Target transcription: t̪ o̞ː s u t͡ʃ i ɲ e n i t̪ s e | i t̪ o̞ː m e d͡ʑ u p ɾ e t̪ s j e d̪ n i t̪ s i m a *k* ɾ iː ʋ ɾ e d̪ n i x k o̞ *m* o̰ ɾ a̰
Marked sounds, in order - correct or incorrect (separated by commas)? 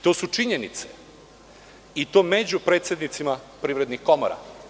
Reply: incorrect, correct